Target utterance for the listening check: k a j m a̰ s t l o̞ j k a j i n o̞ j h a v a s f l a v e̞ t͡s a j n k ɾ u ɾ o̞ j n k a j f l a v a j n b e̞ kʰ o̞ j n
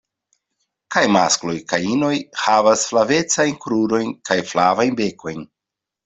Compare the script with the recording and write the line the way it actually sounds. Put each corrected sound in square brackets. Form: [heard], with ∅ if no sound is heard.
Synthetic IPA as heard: k a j m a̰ s [k] l o̞ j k a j i n o̞ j h a v a s f l a v e̞ t͡s a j n k ɾ u ɾ o̞ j n k a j f l a v a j n b e̞ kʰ o̞ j n